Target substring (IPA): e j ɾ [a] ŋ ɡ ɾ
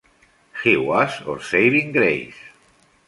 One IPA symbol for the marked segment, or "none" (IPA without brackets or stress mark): i